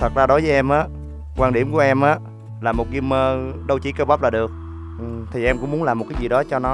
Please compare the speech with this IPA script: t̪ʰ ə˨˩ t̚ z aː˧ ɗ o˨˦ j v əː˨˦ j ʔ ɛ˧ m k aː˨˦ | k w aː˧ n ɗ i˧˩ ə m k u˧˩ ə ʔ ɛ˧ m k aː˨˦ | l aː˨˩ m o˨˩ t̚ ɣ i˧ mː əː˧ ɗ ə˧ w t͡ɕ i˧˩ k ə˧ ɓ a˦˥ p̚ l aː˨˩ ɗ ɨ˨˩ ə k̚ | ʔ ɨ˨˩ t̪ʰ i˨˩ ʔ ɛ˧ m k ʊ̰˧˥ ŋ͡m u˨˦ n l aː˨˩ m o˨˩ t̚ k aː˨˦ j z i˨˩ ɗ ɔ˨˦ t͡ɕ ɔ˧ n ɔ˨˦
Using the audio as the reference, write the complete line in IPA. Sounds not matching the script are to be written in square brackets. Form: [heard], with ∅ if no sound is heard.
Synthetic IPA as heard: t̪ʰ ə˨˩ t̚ z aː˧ ɗ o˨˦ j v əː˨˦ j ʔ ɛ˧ m [ʔ] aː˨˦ | k w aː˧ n ɗ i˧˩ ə m k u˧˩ ə ʔ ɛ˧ m [ʔ] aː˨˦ | l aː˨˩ m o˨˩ t̚ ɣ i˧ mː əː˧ ɗ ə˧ w t͡ɕ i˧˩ k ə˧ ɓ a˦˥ p̚ l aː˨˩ ɗ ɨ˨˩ ə k̚ | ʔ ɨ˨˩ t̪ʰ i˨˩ ʔ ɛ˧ m k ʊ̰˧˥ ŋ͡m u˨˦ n l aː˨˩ m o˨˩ t̚ k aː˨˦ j z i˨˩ ɗ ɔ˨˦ t͡ɕ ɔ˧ n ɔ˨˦